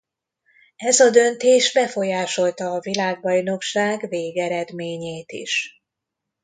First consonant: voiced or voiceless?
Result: voiced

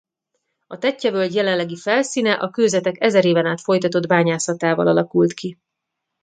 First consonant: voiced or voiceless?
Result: voiceless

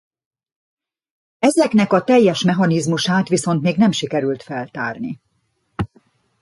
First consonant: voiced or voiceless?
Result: voiced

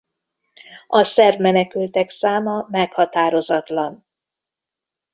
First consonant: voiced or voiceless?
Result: voiceless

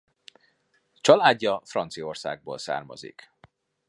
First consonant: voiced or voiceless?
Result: voiceless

